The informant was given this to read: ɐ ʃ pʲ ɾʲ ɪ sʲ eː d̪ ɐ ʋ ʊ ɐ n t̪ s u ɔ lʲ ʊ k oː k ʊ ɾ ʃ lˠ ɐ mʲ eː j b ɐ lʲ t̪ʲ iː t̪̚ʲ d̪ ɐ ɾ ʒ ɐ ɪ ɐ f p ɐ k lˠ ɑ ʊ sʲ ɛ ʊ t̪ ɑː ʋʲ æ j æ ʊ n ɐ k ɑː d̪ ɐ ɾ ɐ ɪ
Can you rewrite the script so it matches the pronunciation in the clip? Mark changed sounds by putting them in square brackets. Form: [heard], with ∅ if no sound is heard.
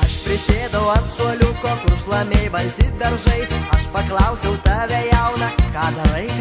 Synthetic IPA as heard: ɐ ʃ pʲ ɾʲ ɪ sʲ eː d̪ ɐ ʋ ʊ ɐ n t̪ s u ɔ lʲ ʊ k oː k ʊ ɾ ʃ lˠ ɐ mʲ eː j b ɐ lʲ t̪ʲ iː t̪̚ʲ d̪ ɐ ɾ ʒ ɐ ɪ ɐ [ʃ] p ɐ k lˠ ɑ ʊ sʲ ɛ ʊ t̪ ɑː ʋʲ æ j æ ʊ n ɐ k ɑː d̪ ɐ ɾ ɐ ɪ

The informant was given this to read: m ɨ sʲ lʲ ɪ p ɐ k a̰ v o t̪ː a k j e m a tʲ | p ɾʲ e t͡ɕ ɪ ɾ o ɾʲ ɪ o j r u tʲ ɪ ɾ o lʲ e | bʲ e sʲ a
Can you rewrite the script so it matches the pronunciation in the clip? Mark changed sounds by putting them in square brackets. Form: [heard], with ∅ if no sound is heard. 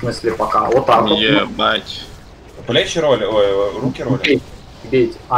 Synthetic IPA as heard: m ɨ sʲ lʲ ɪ p ɐ k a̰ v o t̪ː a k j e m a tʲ | p [lʲ] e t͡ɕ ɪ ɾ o [lʲ] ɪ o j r u [kʲ] ɪ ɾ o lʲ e | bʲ e [tʲ] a

